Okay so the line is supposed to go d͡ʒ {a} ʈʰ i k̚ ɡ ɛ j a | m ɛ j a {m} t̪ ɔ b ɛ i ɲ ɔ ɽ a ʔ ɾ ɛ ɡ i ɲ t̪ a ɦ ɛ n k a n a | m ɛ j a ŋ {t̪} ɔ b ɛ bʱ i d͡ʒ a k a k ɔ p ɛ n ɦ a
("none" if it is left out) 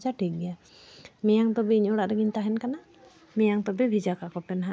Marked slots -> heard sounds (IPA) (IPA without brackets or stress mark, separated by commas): a, ŋ, t̪